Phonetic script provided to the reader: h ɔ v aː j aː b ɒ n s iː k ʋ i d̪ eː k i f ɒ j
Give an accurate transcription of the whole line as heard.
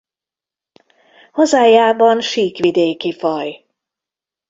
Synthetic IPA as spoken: h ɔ z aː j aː b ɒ n ʃ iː k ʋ i d̪ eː k i f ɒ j